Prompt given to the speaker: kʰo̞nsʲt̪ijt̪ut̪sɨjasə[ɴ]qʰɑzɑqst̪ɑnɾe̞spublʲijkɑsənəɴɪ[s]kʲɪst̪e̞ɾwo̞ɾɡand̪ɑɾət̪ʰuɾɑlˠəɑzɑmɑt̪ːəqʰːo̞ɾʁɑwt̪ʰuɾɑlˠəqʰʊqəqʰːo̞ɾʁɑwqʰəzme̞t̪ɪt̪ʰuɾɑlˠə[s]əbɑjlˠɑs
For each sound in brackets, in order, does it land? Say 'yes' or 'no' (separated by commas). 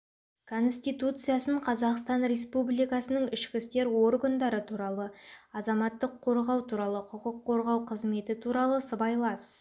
yes, no, yes